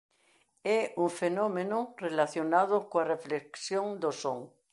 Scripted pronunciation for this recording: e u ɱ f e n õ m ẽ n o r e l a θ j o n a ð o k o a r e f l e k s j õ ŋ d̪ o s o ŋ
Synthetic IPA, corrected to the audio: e u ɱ f e n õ m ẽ n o r e l a θ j o n a ð o k o a r e f l e k s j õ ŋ d̪ o s o ŋ